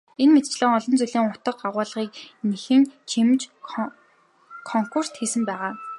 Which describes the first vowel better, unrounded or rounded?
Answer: unrounded